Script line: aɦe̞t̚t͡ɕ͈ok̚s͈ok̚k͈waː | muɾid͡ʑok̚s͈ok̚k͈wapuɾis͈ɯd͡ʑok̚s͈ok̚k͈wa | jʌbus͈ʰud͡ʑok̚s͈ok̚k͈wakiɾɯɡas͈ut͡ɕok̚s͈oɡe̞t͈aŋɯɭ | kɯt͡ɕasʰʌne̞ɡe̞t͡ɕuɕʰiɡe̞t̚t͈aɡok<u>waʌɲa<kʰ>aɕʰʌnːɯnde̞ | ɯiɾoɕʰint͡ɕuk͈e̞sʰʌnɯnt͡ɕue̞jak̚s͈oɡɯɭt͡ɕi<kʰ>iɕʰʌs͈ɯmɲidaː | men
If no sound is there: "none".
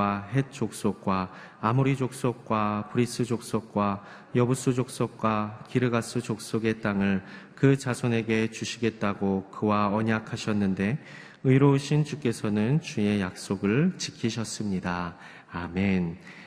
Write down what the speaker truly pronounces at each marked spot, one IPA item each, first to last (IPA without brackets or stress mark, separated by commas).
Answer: ɯ, kʰ, kʰ